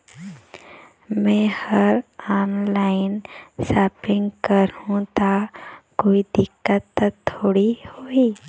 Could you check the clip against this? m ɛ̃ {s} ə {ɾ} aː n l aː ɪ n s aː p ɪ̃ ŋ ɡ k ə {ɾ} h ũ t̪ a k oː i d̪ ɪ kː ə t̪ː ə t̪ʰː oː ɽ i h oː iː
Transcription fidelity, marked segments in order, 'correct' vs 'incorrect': incorrect: h, correct, correct

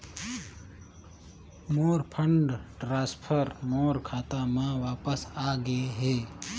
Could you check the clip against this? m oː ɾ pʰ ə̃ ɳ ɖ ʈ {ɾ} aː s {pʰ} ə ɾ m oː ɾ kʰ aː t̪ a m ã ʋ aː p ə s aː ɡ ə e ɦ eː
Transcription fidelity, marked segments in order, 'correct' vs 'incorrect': correct, correct

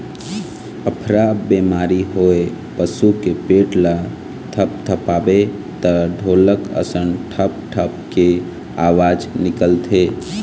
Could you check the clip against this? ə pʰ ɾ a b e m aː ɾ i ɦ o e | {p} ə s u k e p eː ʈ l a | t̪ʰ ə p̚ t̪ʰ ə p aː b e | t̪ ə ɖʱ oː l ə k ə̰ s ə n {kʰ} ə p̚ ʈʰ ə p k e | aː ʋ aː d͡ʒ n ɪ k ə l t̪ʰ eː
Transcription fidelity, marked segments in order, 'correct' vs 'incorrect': correct, incorrect: ʈʰ

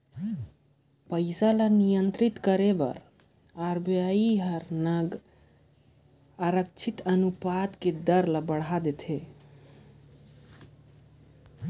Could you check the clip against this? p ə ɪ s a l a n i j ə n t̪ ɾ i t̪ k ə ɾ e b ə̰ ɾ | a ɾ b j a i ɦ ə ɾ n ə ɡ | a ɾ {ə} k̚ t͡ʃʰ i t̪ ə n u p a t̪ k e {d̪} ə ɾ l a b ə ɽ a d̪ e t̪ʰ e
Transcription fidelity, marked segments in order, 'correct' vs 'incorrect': correct, correct

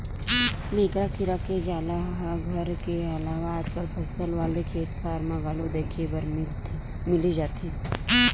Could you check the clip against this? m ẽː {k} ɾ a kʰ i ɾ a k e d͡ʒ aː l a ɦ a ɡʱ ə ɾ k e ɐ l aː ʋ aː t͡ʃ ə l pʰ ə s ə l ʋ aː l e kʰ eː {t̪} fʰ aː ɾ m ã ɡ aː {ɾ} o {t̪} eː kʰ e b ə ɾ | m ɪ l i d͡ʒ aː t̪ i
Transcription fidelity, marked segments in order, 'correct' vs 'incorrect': correct, correct, incorrect: l, incorrect: d̪

